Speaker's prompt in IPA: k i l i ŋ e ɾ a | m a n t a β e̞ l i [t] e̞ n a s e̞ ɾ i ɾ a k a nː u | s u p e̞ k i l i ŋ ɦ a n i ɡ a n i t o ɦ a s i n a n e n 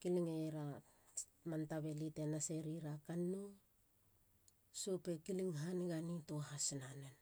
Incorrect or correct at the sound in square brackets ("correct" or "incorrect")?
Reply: correct